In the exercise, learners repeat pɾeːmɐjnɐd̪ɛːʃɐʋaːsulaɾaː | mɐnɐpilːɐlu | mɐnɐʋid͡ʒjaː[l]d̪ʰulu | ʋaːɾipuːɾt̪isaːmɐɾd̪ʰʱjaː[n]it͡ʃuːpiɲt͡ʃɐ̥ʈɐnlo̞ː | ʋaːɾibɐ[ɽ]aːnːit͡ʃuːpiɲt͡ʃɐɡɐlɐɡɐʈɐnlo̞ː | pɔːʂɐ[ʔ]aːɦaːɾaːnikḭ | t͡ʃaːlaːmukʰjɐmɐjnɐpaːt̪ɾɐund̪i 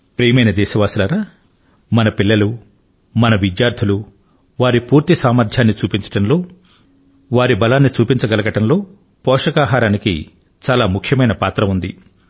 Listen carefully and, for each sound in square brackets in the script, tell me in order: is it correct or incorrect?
incorrect, incorrect, incorrect, incorrect

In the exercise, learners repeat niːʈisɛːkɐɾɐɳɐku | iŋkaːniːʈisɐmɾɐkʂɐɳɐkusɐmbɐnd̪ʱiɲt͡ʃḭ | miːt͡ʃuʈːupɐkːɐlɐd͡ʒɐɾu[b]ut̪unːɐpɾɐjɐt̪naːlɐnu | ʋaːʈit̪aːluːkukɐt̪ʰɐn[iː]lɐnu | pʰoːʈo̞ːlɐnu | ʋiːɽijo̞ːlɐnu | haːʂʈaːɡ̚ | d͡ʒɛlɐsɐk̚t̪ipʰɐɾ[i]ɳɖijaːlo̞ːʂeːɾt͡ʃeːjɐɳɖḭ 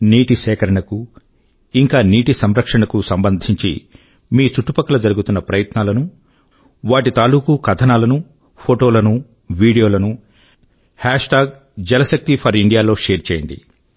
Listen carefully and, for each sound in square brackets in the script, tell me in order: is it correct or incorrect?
incorrect, incorrect, correct

